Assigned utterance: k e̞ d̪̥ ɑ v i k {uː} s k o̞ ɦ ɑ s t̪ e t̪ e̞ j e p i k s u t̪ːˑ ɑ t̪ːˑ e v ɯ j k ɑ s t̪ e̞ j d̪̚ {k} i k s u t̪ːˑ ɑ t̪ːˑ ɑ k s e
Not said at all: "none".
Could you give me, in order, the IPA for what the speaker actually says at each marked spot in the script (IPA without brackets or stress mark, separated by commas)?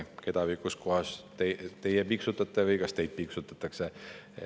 u, p